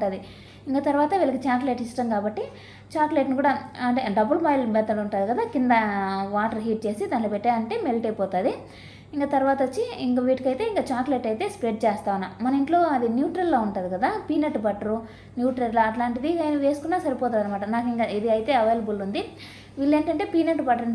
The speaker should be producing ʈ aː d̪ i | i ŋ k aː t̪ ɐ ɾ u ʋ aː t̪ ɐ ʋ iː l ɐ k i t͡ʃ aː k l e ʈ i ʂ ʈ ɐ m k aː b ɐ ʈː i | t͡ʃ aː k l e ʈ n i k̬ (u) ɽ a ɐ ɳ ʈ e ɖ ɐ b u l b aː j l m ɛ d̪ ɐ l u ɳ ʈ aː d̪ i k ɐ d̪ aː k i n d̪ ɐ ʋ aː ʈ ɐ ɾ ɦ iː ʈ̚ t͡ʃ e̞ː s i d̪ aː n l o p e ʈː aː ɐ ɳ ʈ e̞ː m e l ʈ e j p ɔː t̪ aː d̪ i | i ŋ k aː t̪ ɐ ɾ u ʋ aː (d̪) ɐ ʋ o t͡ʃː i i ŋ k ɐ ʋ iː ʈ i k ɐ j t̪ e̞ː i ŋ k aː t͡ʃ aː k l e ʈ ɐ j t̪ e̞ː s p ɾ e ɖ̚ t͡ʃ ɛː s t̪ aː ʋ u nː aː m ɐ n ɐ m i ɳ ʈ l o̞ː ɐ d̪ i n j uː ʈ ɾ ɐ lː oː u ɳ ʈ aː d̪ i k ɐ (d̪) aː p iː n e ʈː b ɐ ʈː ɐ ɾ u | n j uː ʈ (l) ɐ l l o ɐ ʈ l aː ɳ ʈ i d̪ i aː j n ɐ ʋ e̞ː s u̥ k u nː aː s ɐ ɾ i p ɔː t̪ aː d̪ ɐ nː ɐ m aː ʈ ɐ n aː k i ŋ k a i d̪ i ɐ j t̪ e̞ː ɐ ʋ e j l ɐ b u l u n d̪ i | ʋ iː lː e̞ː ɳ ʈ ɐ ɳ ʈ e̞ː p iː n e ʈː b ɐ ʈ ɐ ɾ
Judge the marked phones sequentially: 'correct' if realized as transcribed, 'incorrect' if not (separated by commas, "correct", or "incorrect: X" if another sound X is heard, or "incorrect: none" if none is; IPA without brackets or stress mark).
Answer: incorrect: uː, incorrect: t̪, correct, incorrect: ɾ